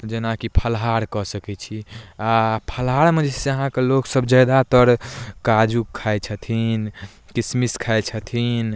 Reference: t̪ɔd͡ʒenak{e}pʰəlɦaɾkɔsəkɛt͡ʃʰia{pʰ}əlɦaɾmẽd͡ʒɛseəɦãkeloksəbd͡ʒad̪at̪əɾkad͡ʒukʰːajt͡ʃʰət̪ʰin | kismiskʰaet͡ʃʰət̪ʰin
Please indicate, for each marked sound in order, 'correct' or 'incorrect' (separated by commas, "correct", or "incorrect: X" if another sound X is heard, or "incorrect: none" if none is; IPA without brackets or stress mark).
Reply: incorrect: i, correct